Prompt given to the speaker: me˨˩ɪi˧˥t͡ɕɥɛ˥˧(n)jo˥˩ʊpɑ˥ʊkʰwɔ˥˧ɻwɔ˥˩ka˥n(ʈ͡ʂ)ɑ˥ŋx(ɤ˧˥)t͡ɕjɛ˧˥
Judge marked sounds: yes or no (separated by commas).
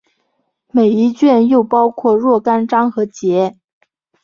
yes, yes, yes